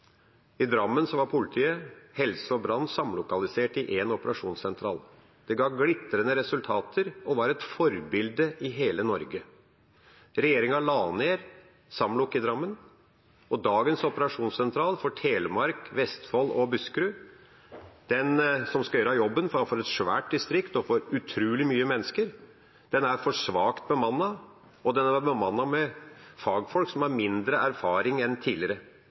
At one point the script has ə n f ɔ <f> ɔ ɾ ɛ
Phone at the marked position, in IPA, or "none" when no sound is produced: f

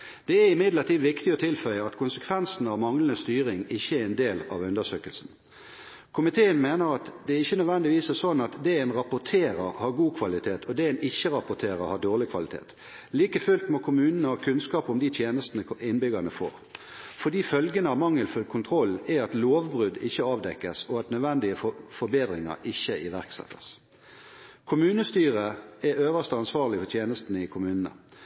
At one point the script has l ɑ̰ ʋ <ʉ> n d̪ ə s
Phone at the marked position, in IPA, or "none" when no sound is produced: ʉ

